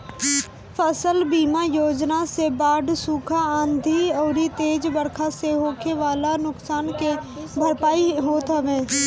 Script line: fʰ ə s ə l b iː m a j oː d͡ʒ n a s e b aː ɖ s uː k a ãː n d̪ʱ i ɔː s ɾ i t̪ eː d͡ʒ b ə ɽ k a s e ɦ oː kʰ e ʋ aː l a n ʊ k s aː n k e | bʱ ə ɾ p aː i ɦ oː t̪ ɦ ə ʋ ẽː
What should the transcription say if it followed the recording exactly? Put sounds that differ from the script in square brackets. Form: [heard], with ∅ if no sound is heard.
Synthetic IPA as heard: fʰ ə s ə l b iː m a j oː d͡ʒ n a s e b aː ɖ s uː [kʰ] a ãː n d̪ʱ i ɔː [∅] ɾ i t̪ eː d͡ʒ b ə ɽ [kʰ] a s e ɦ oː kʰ e ʋ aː l a n ʊ k s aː n k e | bʱ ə ɾ p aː i ɦ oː t̪ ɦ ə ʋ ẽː